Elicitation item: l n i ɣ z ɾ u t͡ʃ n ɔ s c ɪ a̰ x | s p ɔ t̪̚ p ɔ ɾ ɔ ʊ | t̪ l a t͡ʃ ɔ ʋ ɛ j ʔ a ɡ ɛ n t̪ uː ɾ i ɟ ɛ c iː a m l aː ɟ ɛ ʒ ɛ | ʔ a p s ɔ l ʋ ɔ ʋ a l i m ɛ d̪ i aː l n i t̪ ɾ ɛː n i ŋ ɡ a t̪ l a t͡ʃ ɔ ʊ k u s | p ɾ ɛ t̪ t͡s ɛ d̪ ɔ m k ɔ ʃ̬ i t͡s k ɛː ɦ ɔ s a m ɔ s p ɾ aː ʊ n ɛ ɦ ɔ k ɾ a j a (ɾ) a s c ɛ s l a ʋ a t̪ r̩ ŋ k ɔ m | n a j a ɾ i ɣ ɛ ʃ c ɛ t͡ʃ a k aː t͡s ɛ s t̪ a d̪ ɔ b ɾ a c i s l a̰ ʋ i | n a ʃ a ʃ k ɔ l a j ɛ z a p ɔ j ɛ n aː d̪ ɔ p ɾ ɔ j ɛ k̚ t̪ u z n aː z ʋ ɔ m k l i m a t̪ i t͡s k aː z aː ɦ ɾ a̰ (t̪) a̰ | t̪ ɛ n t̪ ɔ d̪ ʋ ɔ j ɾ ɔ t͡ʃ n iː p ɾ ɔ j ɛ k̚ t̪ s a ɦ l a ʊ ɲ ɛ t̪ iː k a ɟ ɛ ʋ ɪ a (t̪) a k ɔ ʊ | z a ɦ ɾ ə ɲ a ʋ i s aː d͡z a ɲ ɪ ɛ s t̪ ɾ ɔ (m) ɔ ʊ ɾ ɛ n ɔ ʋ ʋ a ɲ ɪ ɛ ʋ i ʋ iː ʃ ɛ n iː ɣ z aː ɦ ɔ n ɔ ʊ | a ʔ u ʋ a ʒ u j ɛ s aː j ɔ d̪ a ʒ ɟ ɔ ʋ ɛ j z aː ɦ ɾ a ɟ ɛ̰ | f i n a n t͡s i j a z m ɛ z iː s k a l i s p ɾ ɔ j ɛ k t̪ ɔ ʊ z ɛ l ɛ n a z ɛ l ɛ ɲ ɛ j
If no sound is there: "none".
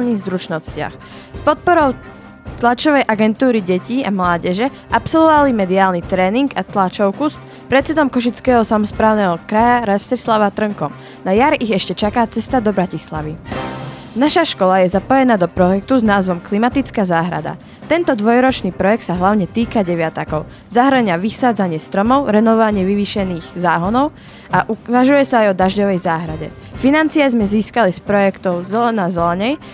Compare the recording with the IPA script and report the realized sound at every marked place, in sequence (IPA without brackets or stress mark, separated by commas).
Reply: ɾ, d̪, t̪, m